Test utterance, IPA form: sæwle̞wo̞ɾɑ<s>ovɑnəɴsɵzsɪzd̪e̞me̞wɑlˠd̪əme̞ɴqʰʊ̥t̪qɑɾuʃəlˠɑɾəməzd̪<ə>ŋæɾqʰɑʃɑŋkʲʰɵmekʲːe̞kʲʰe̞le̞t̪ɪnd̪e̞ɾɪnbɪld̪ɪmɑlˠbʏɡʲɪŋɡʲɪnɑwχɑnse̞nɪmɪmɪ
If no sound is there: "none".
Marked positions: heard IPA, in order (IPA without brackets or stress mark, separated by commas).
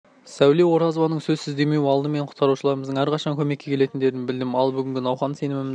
z, ə